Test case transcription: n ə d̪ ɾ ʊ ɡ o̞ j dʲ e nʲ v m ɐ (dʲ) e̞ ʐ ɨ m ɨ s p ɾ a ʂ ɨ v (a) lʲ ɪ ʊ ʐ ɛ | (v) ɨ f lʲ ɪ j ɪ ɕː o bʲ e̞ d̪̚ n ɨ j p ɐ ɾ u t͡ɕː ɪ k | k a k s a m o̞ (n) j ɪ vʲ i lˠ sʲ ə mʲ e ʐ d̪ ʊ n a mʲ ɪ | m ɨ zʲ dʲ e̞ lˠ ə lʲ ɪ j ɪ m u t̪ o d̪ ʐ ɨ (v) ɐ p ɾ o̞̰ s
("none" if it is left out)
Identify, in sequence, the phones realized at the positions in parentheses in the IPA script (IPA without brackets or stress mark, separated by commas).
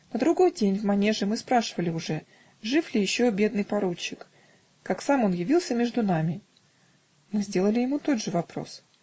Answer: nʲ, ə, ʐ, n, v